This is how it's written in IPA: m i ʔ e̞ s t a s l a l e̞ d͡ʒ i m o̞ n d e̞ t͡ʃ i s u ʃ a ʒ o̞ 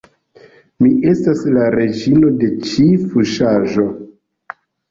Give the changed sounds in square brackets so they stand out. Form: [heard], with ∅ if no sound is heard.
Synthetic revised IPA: m i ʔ e̞ s t a s l a [ɾ] e̞ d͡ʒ i [n] o̞ [∅] d e̞ t͡ʃ i [f] u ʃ a ʒ o̞